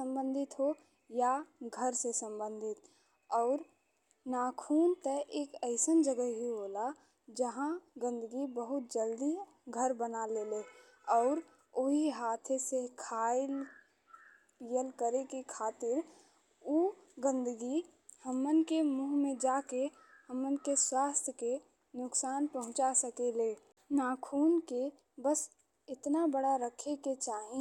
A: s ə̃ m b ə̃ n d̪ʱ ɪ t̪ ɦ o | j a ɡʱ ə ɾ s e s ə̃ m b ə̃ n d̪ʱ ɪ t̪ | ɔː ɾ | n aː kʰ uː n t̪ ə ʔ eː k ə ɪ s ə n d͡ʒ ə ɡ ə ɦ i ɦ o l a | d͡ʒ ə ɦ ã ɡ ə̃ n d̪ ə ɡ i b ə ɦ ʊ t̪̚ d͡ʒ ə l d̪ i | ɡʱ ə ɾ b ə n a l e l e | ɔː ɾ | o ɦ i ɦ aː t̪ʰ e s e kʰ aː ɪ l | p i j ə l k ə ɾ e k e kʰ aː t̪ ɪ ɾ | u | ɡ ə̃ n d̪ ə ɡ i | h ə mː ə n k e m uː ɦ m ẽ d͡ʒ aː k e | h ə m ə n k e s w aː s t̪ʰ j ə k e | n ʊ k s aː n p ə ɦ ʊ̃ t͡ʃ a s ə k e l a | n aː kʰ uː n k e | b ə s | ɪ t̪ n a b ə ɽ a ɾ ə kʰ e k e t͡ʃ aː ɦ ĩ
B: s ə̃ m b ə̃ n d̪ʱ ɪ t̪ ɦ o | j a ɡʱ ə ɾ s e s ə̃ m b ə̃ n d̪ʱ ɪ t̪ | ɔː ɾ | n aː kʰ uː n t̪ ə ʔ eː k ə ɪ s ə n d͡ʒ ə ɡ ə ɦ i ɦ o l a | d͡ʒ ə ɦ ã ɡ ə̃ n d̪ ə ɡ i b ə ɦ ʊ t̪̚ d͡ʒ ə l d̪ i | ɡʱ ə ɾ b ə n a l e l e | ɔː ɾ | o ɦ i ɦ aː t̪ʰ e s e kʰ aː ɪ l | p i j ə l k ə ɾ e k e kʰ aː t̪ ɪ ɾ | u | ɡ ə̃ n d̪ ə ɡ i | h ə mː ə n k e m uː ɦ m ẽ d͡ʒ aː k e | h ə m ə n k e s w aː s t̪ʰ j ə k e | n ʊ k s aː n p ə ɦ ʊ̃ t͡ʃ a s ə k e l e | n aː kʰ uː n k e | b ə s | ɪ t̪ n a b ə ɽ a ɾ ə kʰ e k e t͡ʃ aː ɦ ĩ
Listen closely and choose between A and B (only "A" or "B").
B